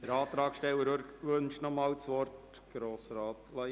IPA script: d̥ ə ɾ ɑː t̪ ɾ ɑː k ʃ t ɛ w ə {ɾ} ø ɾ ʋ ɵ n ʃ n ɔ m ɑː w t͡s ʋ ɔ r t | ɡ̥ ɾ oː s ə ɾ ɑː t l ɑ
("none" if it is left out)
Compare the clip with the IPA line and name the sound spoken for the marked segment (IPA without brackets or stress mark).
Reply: ɾ